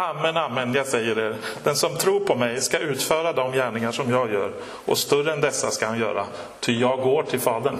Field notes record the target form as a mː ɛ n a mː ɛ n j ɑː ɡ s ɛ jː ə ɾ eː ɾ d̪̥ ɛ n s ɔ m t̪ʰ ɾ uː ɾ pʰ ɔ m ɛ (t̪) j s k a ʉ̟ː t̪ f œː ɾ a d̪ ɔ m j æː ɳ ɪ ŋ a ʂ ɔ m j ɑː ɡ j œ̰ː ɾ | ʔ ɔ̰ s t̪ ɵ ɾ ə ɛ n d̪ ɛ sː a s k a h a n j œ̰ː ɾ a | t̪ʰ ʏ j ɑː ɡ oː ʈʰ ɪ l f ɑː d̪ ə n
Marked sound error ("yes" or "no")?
yes